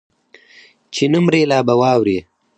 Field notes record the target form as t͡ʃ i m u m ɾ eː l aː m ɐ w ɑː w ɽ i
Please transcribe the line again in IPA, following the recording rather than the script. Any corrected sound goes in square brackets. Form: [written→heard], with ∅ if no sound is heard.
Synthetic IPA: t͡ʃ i [m→n] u m ɾ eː l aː [m→b] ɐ w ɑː w [ɽ→ɾ] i